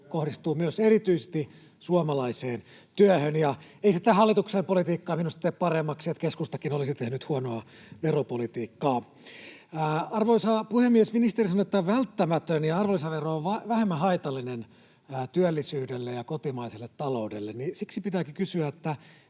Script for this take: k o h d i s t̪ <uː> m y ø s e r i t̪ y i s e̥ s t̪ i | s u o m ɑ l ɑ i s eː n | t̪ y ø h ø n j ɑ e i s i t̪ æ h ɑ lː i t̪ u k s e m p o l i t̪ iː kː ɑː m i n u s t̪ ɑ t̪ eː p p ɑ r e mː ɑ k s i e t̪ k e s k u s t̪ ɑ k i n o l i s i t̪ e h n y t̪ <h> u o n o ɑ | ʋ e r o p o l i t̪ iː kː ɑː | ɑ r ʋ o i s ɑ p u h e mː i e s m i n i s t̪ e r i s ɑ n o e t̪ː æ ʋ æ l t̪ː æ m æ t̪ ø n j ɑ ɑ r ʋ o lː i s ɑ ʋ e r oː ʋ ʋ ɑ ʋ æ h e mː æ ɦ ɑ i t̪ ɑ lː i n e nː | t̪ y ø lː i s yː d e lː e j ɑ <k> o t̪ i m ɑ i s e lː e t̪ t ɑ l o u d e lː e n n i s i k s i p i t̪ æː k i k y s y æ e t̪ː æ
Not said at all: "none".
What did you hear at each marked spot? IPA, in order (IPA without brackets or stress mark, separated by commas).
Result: uː, h, k